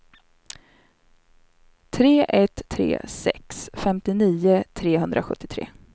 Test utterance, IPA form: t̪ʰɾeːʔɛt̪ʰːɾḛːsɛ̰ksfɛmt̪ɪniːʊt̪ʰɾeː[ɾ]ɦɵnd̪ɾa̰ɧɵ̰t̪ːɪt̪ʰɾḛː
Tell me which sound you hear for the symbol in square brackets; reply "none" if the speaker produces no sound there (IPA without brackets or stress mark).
none